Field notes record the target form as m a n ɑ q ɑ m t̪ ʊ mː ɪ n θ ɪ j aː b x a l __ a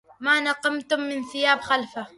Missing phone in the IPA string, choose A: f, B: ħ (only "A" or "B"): A